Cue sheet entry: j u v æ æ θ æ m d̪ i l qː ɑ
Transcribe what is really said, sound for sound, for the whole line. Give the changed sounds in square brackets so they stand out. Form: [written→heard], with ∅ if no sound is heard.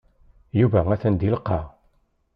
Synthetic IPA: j u v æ æ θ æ [m→n] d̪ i l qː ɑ